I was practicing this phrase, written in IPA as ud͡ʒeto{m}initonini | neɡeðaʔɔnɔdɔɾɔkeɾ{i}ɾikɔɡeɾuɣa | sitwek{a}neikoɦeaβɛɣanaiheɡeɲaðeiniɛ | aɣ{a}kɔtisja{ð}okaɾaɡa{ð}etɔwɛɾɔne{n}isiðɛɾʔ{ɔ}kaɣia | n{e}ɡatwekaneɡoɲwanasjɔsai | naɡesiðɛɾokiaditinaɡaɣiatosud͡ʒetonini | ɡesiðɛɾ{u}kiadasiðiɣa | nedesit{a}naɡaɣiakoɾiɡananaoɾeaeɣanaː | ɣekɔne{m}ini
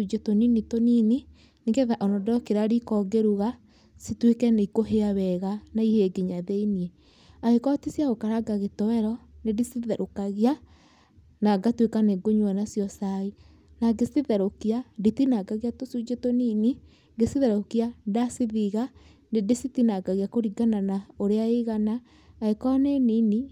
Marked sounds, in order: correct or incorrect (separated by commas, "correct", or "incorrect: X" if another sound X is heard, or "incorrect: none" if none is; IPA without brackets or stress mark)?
incorrect: n, incorrect: a, incorrect: ɛ, incorrect: e, incorrect: ɣ, incorrect: ɣ, incorrect: d, incorrect: o, incorrect: a, incorrect: o, incorrect: i, incorrect: n